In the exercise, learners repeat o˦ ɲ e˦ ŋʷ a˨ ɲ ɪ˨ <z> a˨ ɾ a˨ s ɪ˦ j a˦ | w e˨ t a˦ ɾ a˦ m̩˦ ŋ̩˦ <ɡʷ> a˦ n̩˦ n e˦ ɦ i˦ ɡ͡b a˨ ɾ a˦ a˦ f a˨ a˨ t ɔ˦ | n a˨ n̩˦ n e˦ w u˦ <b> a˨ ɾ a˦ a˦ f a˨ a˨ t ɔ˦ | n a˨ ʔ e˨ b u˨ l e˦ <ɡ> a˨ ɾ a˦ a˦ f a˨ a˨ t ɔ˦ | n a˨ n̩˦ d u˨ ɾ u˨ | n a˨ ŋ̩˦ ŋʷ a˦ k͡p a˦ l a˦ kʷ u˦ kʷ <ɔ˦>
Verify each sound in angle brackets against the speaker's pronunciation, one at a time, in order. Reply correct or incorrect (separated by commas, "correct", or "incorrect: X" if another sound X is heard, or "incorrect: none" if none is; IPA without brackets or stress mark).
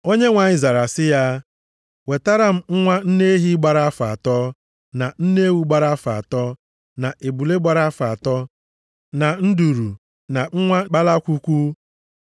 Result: correct, incorrect: ŋʷ, incorrect: ɡ͡b, incorrect: ɡ͡b, incorrect: u˦